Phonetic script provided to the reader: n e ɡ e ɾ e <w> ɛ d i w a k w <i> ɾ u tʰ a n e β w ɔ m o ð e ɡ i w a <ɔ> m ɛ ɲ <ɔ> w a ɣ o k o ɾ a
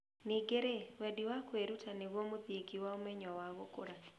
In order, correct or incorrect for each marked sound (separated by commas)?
correct, incorrect, incorrect, correct